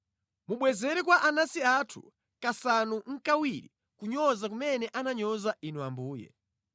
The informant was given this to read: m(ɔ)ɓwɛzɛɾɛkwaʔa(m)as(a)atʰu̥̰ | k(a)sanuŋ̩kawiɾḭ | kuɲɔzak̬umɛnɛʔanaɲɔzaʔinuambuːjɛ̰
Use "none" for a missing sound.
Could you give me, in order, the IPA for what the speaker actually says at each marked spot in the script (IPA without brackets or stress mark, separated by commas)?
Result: u, n, i, a